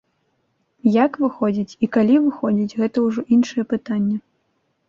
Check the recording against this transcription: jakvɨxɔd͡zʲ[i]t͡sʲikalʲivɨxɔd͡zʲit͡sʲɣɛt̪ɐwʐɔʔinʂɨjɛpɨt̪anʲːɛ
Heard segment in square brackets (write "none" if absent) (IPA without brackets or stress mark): i